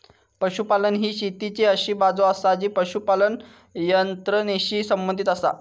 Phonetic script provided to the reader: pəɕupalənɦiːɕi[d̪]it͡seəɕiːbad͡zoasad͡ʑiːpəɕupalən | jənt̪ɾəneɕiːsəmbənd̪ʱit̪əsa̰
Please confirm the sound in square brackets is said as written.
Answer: no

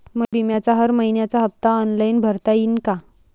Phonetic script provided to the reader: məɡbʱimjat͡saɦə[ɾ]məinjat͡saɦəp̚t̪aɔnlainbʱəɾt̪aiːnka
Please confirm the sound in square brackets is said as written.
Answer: yes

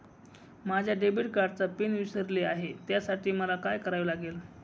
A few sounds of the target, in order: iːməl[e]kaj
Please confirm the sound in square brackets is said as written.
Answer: no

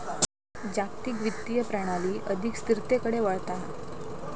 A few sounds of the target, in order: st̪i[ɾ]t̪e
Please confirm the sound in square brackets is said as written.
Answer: yes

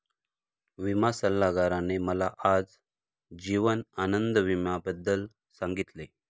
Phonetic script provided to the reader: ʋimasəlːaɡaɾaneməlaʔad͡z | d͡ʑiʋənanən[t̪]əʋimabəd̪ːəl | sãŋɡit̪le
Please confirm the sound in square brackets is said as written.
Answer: no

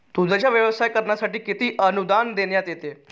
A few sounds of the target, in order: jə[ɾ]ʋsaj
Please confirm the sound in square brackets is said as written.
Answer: no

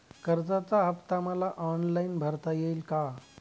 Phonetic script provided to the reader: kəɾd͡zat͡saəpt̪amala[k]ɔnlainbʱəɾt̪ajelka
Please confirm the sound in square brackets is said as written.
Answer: no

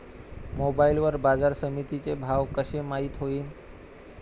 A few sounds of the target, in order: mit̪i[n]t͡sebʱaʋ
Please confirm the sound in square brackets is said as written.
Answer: no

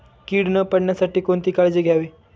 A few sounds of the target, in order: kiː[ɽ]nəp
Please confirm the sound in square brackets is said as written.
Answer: yes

